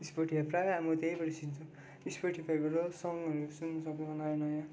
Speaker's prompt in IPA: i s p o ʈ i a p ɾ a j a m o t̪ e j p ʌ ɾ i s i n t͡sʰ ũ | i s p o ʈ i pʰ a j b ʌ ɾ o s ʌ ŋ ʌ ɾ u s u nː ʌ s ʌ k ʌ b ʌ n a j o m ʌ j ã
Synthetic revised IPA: i s p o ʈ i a p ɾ a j a m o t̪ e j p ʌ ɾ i s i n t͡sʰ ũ | i s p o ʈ i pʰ a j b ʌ ɾ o s ʌ ŋ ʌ ɾ u s u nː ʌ s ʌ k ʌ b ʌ n a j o n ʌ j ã